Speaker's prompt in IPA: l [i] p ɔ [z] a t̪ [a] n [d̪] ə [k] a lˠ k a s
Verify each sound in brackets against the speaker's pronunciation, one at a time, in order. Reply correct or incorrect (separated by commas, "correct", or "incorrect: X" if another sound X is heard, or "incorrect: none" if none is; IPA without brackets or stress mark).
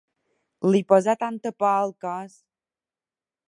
correct, correct, correct, incorrect: t̪, incorrect: p